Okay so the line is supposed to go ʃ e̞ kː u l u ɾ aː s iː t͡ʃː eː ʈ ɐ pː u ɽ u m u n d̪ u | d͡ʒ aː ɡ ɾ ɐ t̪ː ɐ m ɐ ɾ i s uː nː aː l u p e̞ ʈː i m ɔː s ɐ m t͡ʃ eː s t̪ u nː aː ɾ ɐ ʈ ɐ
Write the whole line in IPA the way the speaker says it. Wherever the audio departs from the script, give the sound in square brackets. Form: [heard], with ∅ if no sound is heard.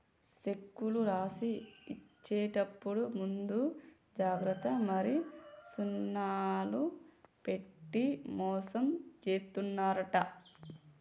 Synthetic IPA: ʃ e̞ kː u l u ɾ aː s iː t͡ʃː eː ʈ ɐ pː u ɽ u m u n d̪ u | d͡ʒ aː ɡ ɾ ɐ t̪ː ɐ m ɐ ɾ i s [u] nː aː l u p e̞ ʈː i m ɔː s ɐ m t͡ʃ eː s t̪ u nː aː ɾ ɐ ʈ ɐ